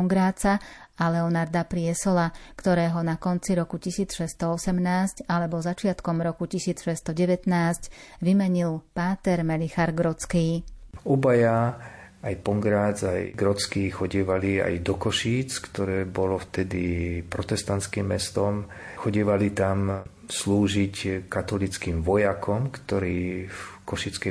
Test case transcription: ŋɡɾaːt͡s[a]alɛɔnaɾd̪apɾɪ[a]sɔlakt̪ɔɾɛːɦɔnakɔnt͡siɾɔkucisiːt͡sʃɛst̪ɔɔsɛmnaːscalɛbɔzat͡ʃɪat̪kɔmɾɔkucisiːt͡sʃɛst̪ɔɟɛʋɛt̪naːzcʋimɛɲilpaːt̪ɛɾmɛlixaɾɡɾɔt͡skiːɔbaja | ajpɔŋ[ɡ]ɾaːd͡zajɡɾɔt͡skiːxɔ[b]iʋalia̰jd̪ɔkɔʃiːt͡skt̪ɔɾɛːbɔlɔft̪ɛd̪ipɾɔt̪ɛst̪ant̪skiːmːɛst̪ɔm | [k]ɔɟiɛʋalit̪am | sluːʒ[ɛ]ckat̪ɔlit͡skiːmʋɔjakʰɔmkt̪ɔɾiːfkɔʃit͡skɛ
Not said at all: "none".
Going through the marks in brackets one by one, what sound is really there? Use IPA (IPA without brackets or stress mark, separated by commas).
a, ɛ, ɡ, ɟ, x, i